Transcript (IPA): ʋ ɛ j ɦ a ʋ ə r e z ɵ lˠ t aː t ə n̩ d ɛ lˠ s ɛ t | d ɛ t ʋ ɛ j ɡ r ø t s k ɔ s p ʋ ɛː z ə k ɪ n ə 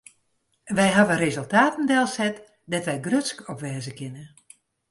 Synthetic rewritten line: ʋ ɛ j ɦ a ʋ ə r e z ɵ lˠ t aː t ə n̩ d ɛ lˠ s ɛ t | d ɛ t ʋ ɛ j ɡ r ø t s k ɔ p ʋ ɛː z ə k ɪ n ə